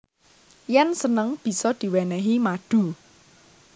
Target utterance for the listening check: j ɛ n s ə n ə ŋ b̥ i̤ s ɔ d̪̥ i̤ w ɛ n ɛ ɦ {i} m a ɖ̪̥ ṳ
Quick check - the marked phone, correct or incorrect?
correct